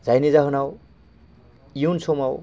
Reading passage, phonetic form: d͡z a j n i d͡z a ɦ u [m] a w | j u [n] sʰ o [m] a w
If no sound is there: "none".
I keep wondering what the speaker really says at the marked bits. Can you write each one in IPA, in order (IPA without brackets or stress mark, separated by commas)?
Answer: n, n, m